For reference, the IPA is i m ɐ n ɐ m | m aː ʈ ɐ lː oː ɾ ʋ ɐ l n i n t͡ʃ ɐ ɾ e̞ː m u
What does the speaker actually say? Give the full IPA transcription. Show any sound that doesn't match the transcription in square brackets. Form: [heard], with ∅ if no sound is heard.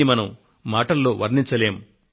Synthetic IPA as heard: i m ɐ n ɐ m | m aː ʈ ɐ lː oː [∅] ʋ ɐ [ɾ] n i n t͡ʃ ɐ [l] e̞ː m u